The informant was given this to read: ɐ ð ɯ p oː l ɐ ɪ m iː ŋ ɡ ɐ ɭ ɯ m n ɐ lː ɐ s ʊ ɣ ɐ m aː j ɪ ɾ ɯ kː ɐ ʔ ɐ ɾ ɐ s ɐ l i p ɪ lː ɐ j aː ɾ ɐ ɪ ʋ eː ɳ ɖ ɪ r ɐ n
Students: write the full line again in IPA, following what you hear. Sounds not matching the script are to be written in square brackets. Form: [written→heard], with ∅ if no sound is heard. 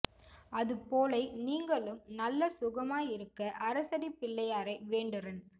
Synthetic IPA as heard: ɐ ð ɯ p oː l ɐ ɪ [m→n] iː ŋ ɡ ɐ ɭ ɯ m n ɐ lː ɐ s ʊ ɣ ɐ m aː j ɪ ɾ ɯ kː ɐ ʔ ɐ ɾ ɐ s ɐ [l→ɽ] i p ɪ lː ɐ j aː ɾ ɐ ɪ ʋ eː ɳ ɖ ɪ r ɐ n